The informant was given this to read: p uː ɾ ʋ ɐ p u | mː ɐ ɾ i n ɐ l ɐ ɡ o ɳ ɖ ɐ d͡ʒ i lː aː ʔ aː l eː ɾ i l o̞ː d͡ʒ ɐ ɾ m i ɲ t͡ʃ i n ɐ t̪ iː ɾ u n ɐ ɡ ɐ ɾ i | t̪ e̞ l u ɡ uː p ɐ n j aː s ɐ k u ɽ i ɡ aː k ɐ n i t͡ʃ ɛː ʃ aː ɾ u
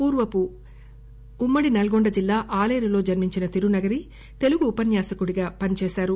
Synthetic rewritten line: p uː ɾ ʋ ɐ p u | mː ɐ ɽ i n ɐ l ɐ ɡ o ɳ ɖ ɐ d͡ʒ i lː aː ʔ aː l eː ɾ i l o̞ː d͡ʒ ɐ ɾ m i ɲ t͡ʃ i n ɐ t̪ i ɾ u n ɐ ɡ ɐ ɾ i | t̪ e̞ l u ɡ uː p ɐ n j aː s ɐ k u ɽ i ɡ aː p ɐ n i t͡ʃ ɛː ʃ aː ɾ u